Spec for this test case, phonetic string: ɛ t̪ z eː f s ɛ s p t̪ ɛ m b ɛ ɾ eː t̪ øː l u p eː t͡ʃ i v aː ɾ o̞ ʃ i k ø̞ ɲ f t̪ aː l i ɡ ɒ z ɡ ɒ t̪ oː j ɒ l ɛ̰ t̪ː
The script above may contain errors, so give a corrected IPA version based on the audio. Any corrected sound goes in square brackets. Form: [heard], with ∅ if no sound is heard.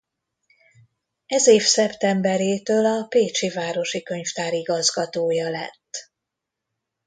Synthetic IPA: ɛ [∅] z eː f s ɛ [∅] p t̪ ɛ m b ɛ ɾ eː t̪ øː l [ɒ] p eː t͡ʃ i v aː ɾ o̞ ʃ i k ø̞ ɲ f t̪ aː [ɾ] i ɡ ɒ z ɡ ɒ t̪ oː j ɒ l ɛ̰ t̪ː